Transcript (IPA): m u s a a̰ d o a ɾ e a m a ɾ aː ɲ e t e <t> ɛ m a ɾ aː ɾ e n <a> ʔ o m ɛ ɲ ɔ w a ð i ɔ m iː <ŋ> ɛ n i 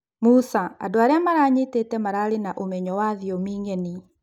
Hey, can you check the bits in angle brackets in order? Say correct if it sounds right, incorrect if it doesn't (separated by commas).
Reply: correct, correct, correct